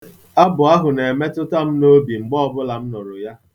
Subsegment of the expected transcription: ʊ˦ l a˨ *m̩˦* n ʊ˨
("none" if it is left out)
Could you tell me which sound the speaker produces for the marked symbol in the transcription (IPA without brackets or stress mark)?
m̩˦